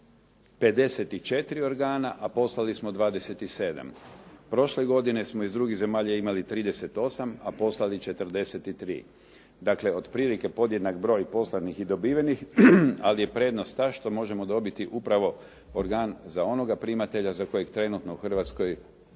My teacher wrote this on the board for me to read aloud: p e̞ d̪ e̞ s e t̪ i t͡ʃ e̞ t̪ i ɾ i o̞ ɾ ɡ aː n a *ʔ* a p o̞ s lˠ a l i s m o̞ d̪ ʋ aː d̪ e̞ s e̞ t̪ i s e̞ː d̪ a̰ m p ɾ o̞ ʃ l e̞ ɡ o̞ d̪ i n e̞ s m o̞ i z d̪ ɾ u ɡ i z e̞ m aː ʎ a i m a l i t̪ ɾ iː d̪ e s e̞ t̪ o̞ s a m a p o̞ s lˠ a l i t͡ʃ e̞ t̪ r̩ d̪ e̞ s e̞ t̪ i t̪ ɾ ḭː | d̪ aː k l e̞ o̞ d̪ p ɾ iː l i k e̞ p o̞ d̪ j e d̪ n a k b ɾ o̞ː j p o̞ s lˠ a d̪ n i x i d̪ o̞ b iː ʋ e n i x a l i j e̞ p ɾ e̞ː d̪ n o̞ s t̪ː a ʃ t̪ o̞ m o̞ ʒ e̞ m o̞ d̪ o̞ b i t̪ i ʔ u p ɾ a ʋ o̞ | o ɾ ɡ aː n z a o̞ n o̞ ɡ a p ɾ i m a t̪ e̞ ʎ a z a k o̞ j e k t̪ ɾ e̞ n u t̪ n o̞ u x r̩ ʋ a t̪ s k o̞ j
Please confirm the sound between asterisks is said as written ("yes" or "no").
yes